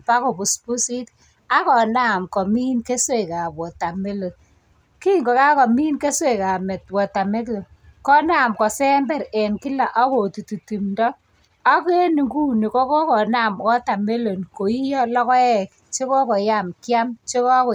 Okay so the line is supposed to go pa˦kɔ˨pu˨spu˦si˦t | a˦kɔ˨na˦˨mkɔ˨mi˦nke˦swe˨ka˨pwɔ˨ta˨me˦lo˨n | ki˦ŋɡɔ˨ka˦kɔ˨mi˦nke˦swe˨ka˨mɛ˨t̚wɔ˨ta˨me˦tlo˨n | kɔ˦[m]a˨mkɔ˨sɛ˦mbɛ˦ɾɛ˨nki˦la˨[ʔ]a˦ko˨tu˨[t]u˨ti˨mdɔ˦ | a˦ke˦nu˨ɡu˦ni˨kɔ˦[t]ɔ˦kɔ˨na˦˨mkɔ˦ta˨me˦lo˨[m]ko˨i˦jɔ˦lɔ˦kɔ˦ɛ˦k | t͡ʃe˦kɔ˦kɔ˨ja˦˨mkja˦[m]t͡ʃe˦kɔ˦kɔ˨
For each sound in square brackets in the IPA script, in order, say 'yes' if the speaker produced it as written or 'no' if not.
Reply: no, yes, yes, no, no, yes

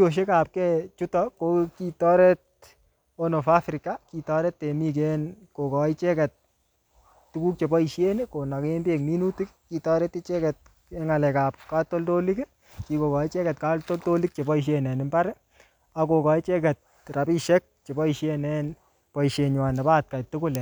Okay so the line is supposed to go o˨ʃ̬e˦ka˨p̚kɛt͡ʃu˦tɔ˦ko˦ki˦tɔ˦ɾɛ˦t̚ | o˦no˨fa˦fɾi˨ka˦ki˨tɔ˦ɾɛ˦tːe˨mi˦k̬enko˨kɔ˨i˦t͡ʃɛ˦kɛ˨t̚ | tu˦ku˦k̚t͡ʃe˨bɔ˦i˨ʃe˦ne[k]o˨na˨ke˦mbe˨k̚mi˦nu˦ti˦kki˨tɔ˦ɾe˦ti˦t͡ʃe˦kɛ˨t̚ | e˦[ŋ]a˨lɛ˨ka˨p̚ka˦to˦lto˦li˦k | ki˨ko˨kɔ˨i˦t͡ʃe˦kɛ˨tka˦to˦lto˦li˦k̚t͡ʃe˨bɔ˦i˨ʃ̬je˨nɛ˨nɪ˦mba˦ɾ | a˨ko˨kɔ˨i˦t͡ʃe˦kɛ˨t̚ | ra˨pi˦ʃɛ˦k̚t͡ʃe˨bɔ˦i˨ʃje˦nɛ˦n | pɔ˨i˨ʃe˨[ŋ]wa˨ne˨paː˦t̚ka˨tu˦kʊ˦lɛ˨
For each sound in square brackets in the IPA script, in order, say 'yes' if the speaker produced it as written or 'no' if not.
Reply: yes, yes, no

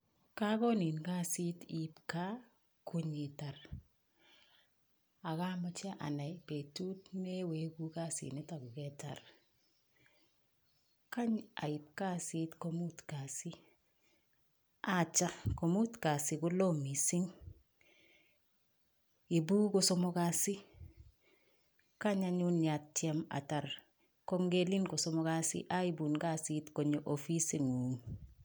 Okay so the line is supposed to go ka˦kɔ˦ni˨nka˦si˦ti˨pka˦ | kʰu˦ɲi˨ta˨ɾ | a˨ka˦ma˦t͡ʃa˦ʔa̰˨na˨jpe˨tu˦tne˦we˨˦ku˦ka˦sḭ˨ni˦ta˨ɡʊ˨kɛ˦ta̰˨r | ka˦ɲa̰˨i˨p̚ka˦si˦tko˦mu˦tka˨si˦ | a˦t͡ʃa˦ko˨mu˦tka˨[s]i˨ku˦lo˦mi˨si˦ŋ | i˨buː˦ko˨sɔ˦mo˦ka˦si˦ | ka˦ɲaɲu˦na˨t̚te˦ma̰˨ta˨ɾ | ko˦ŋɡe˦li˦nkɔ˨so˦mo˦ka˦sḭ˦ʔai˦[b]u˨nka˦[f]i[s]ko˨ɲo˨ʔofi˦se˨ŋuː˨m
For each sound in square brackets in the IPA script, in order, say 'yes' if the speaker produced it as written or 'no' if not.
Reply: yes, yes, no, no

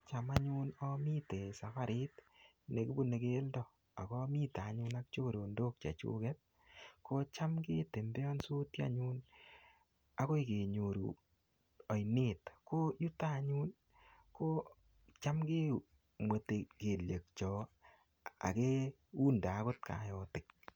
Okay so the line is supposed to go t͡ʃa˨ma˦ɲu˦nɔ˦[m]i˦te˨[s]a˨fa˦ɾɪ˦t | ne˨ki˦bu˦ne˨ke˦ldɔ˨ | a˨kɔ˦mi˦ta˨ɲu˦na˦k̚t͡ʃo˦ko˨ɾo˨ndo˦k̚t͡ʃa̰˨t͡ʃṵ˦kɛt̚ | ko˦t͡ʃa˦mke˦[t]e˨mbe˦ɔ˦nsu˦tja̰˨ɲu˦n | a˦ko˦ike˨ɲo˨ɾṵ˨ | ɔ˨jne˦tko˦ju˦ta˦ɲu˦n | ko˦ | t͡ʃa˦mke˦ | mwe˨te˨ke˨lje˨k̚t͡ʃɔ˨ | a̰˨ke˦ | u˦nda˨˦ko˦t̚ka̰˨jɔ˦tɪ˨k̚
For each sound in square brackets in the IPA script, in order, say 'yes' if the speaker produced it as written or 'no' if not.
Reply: yes, yes, yes

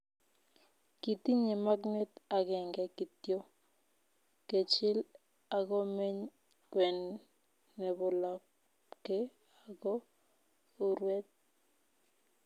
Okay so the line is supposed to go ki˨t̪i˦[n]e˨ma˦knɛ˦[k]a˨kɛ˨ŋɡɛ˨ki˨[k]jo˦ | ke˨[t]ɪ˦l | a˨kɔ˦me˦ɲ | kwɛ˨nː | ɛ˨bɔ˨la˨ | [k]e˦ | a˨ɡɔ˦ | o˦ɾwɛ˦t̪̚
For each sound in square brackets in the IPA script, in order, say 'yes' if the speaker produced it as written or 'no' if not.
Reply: no, no, no, no, yes

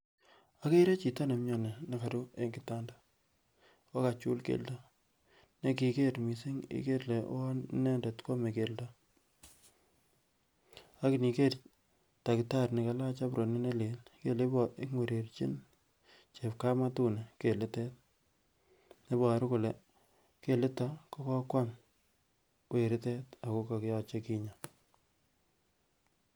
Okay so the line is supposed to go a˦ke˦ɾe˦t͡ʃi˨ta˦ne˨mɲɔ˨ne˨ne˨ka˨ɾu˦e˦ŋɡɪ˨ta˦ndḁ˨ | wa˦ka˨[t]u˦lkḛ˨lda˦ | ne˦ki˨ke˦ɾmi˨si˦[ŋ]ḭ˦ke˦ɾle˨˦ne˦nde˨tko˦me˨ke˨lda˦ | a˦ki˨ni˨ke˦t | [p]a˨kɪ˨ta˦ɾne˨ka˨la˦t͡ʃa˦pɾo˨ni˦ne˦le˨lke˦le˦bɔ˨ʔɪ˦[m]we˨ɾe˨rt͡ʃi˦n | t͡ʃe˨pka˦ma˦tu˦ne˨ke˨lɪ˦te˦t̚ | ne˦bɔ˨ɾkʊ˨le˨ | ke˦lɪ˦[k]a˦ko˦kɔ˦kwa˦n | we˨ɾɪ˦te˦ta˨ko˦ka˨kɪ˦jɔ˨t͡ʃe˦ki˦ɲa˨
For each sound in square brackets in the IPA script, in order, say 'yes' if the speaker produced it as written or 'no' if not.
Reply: no, yes, no, no, no

